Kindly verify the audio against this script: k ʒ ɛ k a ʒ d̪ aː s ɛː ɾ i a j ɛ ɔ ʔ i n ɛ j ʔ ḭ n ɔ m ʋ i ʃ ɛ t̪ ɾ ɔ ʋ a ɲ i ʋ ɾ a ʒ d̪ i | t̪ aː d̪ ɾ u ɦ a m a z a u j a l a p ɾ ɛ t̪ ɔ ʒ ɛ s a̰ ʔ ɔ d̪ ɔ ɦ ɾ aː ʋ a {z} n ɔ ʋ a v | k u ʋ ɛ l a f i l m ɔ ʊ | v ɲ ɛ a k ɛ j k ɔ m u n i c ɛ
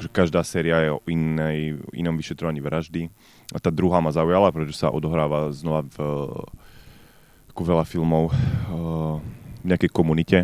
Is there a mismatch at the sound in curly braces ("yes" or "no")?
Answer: no